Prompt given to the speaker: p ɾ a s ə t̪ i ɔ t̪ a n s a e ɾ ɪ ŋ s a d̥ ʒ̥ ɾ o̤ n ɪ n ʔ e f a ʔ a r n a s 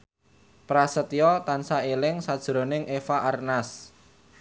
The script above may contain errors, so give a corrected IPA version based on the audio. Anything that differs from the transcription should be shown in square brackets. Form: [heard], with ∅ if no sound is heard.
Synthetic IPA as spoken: p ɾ a s ə t̪ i ɔ t̪ a n s a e [l] ɪ ŋ s a d̥ ʒ̥ ɾ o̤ n ɪ [ŋ] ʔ e f a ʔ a r n a s